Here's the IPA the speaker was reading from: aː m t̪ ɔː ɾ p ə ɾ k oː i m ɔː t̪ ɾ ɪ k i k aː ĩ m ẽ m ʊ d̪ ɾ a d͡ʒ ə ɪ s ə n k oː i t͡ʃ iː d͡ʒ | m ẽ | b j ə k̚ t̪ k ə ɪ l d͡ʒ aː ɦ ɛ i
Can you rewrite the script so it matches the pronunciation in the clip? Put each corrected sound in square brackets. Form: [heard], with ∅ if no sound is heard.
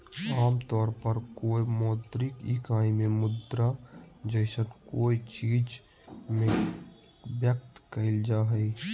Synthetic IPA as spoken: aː m t̪ ɔː ɾ p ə ɾ k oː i m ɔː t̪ ɾ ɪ k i k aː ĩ m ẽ m ʊ d̪ ɾ a d͡ʒ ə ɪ s ə n k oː i t͡ʃ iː d͡ʒ | m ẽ | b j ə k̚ t̪ k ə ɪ l d͡ʒ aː ɦ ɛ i

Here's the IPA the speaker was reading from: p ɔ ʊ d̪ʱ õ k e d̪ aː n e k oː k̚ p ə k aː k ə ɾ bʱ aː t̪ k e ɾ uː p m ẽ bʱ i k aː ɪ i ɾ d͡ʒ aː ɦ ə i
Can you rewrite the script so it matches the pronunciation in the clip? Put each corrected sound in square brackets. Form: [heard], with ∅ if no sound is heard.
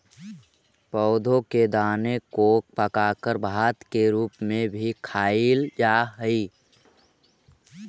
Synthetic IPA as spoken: p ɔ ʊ d̪ʱ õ k e d̪ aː n e k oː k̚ p ə k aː k ə ɾ bʱ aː t̪ k e ɾ uː p m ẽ bʱ i [kʰ] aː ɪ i [l] d͡ʒ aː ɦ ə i

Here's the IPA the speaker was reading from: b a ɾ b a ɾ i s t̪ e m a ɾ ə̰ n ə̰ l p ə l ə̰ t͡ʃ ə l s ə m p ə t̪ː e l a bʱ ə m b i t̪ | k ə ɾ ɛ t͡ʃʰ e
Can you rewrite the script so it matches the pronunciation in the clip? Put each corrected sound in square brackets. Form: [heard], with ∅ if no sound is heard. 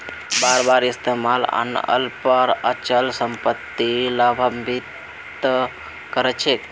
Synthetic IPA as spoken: b a ɾ b a ɾ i s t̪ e m a [l] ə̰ n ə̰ l p ə [ɾ] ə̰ t͡ʃ ə l s ə m p ə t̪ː [i] l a bʱ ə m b i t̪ | k ə ɾ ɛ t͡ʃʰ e

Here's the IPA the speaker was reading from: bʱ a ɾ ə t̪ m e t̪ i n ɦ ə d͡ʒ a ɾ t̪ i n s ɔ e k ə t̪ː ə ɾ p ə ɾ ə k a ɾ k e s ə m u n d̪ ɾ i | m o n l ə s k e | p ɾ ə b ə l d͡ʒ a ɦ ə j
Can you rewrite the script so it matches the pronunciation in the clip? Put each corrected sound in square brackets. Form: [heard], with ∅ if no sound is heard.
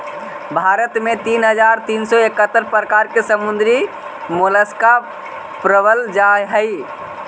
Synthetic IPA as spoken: bʱ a ɾ ə t̪ m e t̪ i n ɦ ə d͡ʒ a ɾ t̪ i n s ɔ e k ə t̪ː ə ɾ p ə ɾ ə k a ɾ k e s ə m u n d̪ ɾ i | m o [∅] l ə s k [a] | p ɾ ə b ə l d͡ʒ a ɦ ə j

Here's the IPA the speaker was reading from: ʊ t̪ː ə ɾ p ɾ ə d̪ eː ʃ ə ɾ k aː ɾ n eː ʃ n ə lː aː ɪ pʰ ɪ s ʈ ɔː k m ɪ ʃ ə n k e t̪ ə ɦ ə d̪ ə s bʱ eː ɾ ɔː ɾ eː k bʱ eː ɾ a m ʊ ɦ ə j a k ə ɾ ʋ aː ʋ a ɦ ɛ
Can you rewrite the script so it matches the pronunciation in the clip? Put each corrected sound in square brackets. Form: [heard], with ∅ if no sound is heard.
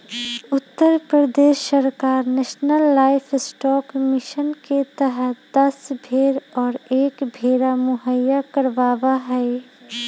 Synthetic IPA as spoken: ʊ t̪ː ə ɾ p ɾ ə d̪ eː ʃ ə ɾ k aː ɾ n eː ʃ n ə lː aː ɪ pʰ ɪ s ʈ ɔː k m ɪ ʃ ə n k e t̪ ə ɦ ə d̪ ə s bʱ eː ɾ ɔː ɾ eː k bʱ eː ɾ a m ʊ ɦ ə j a k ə ɾ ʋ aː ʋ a ɦ ɛ

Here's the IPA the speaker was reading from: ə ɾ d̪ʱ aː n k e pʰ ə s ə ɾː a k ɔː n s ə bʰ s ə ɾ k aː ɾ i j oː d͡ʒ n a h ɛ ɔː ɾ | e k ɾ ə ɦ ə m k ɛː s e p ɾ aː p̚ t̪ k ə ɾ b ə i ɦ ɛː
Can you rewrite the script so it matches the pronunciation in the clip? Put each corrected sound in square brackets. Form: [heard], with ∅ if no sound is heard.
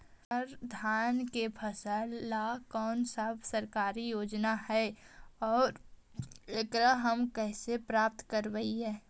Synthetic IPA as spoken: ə ɾ d̪ʱ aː n k e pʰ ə s ə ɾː a k ɔː n s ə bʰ s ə ɾ k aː ɾ i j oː d͡ʒ n a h ɛ ɔː ɾ | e k ɾ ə ɦ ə m k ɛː s e p ɾ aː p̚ t̪ k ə ɾ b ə i ɦ ɛː

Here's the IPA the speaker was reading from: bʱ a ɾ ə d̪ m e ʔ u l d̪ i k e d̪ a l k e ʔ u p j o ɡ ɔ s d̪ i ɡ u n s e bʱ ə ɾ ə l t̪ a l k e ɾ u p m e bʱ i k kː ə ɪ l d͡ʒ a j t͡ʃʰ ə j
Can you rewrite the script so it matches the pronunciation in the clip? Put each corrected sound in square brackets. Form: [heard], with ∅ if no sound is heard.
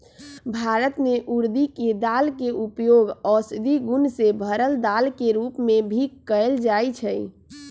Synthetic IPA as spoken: bʱ a ɾ ə [t̪] m e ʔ u [ɾ] d̪ i k e d̪ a l k e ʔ u p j o ɡ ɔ s d̪ i ɡ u n s e bʱ ə ɾ ə l [d̪] a l k e ɾ u p m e bʱ i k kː ə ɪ l d͡ʒ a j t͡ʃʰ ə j

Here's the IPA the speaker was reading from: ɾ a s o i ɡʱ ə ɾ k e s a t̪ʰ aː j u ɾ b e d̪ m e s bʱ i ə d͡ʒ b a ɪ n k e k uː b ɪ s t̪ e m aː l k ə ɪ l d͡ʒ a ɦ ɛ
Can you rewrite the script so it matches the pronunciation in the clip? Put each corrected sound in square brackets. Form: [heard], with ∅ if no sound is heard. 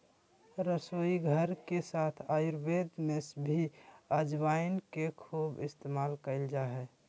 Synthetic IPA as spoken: ɾ [ə] s o i ɡʱ ə ɾ k e s a t̪ʰ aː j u ɾ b e d̪ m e s bʱ i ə d͡ʒ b a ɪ n k e [kʰ] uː b ɪ s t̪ e m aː l k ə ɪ l d͡ʒ a ɦ ɛ

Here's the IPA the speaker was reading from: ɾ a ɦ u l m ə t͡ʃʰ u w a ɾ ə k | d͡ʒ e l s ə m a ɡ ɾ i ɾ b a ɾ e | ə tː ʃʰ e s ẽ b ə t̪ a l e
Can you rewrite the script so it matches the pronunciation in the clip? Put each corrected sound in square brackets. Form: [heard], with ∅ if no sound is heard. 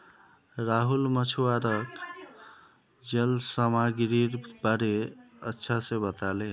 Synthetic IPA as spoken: ɾ a ɦ u l m ə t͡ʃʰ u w a ɾ ə k | d͡ʒ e l s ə m a ɡ ɾ i ɾ b a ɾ e | ə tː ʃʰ [a] s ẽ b ə t̪ a l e

